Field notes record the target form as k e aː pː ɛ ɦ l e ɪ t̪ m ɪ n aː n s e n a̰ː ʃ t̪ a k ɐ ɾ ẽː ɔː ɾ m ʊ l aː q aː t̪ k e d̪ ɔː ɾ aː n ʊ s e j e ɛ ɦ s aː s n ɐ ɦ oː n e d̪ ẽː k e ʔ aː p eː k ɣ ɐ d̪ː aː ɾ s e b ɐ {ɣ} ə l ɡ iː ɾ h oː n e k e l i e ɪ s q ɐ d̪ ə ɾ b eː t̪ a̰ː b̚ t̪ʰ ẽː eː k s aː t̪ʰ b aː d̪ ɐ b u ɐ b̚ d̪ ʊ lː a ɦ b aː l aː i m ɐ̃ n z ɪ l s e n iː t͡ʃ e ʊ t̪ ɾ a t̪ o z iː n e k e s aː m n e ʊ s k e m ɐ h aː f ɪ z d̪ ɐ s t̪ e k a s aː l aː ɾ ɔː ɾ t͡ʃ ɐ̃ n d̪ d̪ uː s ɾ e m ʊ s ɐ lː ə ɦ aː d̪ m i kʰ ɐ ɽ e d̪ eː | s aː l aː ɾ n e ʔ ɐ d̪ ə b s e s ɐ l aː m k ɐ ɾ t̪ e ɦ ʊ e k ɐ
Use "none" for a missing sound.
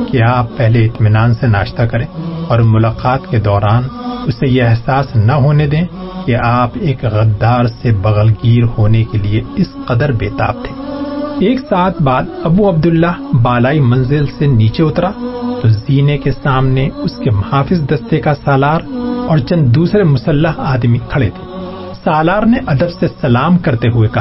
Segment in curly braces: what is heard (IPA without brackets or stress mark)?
ɣ